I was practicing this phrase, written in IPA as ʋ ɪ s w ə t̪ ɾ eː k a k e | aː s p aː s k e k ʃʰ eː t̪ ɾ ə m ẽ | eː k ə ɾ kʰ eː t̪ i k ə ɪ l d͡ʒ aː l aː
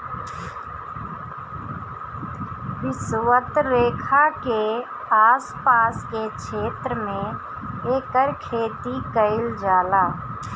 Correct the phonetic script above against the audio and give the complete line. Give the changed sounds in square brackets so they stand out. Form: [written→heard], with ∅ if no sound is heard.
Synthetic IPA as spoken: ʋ ɪ s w ə t̪ ɾ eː [k→kʰ] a k e | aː s p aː s k e k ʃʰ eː t̪ ɾ ə m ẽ | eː k ə ɾ kʰ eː t̪ i k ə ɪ l d͡ʒ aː l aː